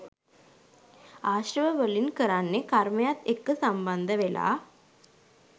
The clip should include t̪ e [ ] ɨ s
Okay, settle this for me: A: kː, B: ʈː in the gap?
A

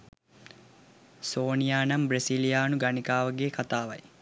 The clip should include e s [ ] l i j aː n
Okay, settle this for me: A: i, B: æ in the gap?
A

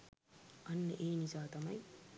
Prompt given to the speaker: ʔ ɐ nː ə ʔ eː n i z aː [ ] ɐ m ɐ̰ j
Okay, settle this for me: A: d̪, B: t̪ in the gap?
B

